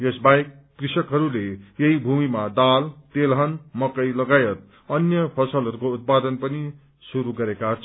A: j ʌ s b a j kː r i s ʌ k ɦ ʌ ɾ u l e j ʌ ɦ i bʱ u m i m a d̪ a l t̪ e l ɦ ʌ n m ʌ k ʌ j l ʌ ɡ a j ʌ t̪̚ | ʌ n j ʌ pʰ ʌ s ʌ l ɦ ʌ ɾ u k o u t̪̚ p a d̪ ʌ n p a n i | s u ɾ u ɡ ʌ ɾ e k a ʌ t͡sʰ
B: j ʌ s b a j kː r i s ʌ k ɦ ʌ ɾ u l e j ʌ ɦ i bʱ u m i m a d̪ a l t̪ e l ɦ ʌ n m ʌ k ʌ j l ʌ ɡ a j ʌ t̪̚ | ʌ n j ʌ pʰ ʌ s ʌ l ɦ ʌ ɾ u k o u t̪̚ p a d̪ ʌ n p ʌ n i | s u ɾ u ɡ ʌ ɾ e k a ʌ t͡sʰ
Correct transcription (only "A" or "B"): B